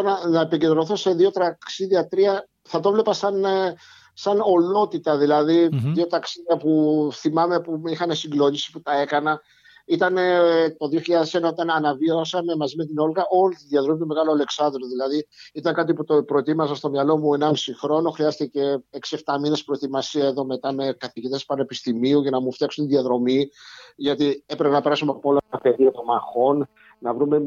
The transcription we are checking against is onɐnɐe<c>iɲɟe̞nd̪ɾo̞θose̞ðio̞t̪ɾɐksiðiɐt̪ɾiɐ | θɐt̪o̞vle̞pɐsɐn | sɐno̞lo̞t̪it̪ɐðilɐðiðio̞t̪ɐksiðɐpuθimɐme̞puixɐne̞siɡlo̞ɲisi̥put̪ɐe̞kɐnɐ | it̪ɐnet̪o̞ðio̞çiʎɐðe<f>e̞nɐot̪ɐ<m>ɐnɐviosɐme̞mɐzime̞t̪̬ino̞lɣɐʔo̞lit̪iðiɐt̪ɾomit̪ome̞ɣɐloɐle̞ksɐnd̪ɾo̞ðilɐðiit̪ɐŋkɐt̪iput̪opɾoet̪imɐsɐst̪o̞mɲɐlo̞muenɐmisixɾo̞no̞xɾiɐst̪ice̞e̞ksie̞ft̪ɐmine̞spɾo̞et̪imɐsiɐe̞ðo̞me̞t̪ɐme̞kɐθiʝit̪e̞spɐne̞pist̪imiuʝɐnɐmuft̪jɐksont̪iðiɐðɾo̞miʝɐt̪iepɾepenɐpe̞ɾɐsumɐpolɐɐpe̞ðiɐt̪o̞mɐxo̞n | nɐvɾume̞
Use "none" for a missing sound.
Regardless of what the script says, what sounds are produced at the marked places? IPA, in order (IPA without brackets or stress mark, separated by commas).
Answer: p, s, n